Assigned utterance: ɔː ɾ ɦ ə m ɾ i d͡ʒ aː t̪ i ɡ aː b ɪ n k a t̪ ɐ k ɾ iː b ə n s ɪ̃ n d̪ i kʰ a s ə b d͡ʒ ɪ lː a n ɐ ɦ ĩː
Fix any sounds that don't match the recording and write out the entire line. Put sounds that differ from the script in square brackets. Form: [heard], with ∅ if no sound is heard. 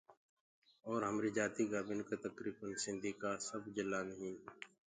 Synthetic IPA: ɔː ɾ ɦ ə m ɾ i d͡ʒ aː t̪ i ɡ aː b ɪ n k a t̪ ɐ k ɾ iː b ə n s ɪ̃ n d̪ i [k] a s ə b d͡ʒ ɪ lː a n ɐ ɦ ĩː